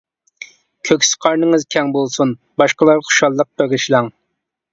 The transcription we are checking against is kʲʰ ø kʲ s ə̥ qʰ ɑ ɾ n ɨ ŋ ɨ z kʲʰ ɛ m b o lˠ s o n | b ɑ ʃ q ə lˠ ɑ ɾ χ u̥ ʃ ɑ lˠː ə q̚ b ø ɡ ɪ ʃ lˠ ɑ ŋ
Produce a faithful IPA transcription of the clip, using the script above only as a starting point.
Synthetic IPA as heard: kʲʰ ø kʲ s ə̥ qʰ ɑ ɾ n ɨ ŋ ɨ z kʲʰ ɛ ŋ b o lˠ s u n | b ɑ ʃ q ə lˠ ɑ ɾ χ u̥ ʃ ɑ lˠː ə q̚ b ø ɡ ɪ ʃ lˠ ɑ ŋ